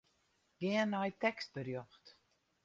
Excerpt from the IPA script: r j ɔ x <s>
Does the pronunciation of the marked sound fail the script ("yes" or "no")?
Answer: yes